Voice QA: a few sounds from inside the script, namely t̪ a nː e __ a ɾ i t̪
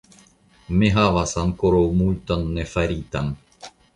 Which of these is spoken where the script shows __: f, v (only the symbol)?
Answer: f